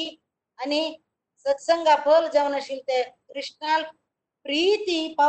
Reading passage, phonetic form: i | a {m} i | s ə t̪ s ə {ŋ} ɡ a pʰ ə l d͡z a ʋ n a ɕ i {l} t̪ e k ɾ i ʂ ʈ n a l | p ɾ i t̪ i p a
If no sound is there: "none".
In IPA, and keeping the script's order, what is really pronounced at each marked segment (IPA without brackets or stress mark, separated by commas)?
n, ŋ, l